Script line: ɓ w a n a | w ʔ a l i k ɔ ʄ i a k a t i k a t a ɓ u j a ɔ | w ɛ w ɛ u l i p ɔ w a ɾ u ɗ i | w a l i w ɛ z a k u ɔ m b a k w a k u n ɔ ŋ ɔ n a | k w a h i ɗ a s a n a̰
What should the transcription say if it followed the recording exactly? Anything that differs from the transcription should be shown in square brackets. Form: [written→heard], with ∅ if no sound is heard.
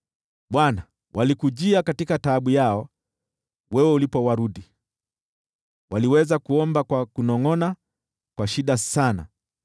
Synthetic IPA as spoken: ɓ w a n a | w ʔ a l i k [ɔ→u] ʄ i a k a t i k a t a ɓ u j a ɔ | w ɛ w ɛ u l i p ɔ w a ɾ u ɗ i | w a l i w ɛ z a k u ɔ m b a k w a k u n ɔ ŋ ɔ n a | k w a [h→ʃ] i ɗ a s a n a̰